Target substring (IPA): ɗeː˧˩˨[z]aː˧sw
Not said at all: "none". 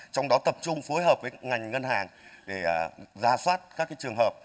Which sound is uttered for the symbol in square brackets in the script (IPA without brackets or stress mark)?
z